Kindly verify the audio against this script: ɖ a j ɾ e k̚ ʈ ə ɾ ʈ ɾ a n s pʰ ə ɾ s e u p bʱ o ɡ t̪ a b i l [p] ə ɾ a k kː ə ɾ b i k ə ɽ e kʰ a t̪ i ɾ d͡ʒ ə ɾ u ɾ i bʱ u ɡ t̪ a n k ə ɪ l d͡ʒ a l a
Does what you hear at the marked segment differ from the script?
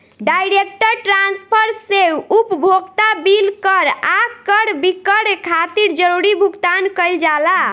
yes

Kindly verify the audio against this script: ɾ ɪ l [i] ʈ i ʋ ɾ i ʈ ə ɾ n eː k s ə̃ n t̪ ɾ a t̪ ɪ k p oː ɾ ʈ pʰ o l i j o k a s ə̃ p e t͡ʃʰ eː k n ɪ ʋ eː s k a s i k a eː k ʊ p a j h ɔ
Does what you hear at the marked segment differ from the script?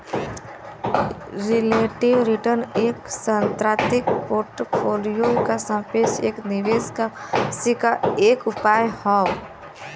yes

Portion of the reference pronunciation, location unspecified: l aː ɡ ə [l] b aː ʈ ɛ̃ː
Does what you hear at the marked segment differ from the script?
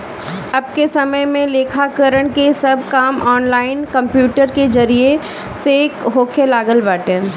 no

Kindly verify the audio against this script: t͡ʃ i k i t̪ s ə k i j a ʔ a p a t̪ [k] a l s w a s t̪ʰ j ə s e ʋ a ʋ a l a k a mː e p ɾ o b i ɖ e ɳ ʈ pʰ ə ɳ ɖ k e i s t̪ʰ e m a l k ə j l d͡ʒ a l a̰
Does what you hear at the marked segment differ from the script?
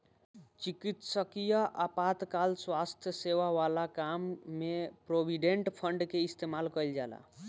no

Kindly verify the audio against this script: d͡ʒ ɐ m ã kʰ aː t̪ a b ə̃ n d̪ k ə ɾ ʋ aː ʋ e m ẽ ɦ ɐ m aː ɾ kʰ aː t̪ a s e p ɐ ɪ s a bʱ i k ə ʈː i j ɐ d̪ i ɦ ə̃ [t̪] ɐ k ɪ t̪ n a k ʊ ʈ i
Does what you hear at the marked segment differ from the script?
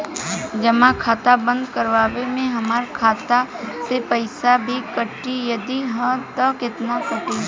no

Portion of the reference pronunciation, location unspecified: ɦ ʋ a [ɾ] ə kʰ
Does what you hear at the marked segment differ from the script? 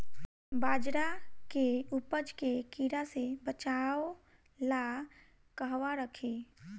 no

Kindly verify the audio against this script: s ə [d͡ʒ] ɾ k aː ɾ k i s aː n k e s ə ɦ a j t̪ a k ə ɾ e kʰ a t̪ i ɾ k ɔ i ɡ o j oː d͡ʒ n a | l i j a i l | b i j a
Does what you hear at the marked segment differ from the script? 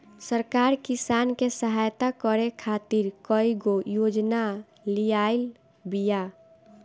yes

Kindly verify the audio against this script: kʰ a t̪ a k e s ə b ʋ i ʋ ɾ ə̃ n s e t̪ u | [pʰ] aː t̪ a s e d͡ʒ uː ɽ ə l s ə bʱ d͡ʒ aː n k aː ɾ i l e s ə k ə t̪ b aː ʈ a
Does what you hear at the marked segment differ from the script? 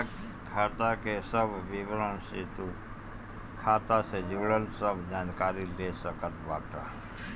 yes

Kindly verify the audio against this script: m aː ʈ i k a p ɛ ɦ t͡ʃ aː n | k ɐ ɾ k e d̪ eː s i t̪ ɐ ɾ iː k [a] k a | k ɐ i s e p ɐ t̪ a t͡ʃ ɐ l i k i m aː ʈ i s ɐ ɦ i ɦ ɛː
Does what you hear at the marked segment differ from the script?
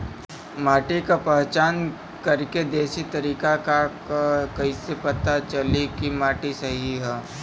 no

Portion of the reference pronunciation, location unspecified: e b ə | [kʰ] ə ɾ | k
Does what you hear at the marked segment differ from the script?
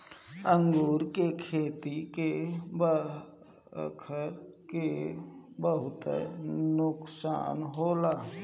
no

